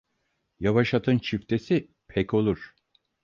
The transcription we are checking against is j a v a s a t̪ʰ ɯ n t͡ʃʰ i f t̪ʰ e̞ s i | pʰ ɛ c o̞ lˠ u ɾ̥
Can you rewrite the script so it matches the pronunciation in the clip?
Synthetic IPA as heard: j a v a ʃ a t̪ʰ ɯ n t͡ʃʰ i f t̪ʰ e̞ s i | pʰ ɛ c o̞ lˠ u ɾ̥